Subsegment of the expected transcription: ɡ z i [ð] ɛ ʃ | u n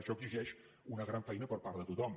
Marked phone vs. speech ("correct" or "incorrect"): incorrect